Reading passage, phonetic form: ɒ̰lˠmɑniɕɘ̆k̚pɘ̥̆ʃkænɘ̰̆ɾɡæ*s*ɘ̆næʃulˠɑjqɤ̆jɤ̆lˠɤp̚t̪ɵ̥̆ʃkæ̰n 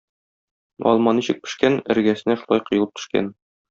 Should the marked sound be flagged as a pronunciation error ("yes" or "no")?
no